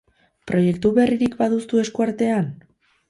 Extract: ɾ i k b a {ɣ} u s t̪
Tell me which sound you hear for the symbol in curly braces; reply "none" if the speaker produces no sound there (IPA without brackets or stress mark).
ð